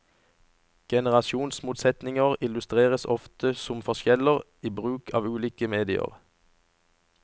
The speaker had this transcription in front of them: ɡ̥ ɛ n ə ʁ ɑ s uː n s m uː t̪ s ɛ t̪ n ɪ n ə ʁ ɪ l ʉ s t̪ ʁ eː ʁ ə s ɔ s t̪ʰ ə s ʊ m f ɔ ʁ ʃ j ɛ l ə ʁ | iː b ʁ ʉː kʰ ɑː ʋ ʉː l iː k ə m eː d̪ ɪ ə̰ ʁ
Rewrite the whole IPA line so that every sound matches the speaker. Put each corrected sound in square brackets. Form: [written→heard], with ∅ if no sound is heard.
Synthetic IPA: ɡ̥ ɛ n ə ʁ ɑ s uː n s m uː t̪ s ɛ t̪ n ɪ [n→ŋ] ə ʁ ɪ l ʉ s t̪ ʁ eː ʁ ə s ɔ [s→f] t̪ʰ ə s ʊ m f ɔ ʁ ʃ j ɛ l ə ʁ | iː b ʁ ʉː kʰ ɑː ʋ ʉː l iː k ə m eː d̪ ɪ ə̰ ʁ